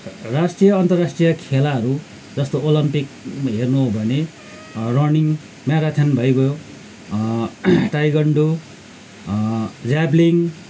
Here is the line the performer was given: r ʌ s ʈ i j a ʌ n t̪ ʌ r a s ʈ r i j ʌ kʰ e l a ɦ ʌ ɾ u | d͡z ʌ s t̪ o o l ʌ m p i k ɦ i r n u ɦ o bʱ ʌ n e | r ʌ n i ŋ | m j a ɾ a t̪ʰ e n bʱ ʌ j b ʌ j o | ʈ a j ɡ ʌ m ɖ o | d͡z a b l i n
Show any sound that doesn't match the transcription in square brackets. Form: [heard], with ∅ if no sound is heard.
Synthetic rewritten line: r [a] s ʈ i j [ʌ] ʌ n t̪ ʌ r a s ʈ r i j ʌ kʰ e l a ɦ ʌ ɾ u | d͡z ʌ s t̪ o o l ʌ m p i k ɦ [e] r n u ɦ o bʱ ʌ n e | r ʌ n i ŋ | m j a ɾ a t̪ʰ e n bʱ ʌ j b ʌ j o | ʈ a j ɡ ʌ [ɳ] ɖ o | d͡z a b l i [ŋ]